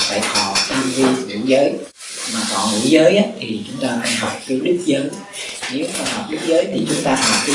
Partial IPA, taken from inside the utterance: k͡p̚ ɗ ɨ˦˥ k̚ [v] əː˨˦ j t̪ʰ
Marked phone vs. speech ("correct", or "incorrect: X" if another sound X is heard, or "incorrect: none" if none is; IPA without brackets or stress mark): incorrect: z